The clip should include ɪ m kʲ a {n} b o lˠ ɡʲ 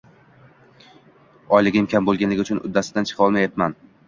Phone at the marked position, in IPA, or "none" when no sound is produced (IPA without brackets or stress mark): m